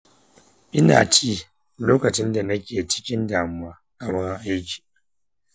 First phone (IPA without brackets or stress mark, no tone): ʔ